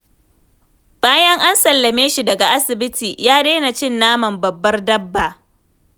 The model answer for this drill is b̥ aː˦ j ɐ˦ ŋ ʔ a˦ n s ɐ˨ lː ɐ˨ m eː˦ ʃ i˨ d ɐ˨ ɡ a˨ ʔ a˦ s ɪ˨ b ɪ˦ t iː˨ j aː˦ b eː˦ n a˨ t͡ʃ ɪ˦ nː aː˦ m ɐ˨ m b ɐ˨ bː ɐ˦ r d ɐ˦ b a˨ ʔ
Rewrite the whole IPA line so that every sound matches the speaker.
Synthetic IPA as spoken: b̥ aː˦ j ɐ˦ ŋ ʔ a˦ n s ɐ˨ lː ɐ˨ m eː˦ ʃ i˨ d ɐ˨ ɡ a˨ ʔ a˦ s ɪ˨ b ɪ˦ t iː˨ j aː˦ d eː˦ n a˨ t͡ʃ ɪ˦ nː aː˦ m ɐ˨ m b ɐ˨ bː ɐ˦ r d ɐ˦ bː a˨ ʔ